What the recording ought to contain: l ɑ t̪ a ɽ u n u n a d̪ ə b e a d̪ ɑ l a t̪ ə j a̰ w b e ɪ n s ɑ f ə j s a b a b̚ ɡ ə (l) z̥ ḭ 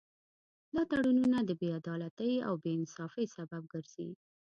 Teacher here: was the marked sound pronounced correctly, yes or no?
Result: no